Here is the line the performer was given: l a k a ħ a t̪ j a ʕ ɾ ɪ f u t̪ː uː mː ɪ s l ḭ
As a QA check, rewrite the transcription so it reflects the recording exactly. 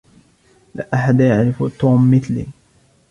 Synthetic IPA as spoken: l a ʔ a ħ a d̪ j a ʕ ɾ ɪ f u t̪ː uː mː ɪ θ l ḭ